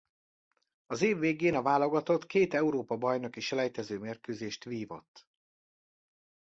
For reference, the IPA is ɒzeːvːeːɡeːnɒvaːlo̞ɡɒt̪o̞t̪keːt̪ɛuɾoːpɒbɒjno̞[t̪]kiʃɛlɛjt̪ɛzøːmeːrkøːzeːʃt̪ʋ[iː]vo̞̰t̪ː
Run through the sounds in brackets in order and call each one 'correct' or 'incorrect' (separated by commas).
incorrect, correct